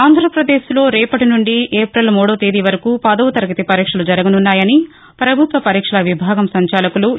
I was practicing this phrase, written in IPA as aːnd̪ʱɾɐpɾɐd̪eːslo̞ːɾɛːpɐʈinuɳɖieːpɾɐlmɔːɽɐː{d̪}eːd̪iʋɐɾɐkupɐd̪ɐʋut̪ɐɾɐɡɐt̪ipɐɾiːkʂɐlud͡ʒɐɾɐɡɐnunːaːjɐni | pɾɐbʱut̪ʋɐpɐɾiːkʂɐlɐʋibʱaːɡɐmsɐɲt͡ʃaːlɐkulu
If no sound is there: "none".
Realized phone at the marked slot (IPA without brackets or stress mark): t̪